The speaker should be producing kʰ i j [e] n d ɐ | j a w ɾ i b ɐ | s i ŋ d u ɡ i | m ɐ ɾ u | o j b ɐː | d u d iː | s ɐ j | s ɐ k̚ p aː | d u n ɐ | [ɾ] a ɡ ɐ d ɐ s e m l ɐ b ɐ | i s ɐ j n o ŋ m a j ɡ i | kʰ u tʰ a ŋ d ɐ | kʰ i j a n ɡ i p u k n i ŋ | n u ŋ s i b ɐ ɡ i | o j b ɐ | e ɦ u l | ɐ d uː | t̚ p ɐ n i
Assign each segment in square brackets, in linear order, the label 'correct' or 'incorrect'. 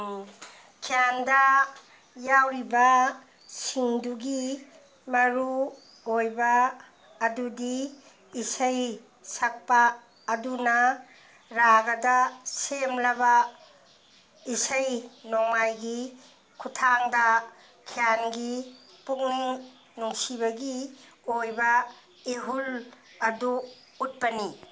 incorrect: a, correct

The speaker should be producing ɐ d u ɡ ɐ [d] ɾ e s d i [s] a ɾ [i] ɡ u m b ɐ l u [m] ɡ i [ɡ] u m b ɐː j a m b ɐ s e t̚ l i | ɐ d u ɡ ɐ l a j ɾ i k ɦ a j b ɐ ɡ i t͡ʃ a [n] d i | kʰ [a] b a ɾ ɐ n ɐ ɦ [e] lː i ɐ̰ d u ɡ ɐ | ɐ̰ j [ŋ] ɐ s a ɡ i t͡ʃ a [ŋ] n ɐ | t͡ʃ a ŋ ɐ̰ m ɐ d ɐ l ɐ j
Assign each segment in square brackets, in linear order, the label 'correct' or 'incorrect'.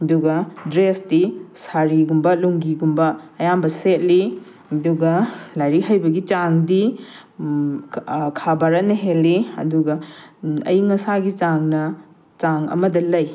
correct, correct, correct, incorrect: ŋ, correct, incorrect: ŋ, correct, correct, correct, correct

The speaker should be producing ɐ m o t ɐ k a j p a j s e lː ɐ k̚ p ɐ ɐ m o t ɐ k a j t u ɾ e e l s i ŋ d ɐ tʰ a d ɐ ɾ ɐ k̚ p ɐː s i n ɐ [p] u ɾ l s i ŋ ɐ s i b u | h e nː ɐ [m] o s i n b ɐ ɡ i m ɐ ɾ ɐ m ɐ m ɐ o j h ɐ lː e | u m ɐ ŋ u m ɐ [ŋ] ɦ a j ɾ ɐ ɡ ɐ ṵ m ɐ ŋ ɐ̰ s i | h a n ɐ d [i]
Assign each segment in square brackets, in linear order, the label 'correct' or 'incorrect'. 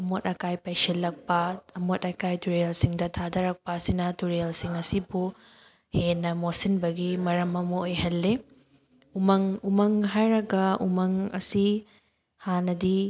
incorrect: t, correct, correct, correct

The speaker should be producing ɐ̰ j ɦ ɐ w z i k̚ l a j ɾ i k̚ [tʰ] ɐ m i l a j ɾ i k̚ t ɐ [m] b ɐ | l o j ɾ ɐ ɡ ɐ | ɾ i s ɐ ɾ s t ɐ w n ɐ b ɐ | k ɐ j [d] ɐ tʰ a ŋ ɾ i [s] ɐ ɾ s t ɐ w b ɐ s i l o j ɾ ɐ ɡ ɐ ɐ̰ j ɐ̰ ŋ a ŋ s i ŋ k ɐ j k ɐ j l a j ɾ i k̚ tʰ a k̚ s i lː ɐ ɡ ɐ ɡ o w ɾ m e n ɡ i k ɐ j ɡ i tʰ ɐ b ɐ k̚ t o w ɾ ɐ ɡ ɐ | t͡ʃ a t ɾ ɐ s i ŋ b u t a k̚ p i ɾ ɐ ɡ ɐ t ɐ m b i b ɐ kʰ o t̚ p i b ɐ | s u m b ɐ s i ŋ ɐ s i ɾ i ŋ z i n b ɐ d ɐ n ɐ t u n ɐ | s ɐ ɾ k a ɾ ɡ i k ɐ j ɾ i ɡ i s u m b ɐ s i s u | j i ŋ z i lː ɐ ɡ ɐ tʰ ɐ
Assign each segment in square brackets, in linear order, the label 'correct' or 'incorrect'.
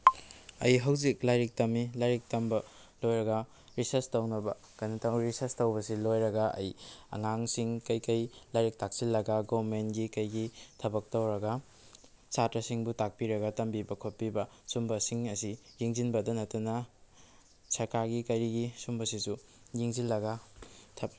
incorrect: t, correct, incorrect: n, correct

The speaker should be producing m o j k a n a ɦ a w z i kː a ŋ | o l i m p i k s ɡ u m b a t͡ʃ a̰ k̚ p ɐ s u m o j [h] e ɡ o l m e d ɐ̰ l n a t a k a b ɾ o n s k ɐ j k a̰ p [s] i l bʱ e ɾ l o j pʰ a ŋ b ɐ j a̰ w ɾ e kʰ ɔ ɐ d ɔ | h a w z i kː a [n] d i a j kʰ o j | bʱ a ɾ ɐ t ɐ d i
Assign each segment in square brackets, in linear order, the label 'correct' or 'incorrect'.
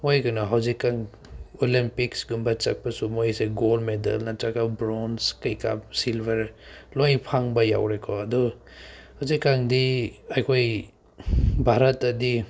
incorrect: s, correct, incorrect: ŋ

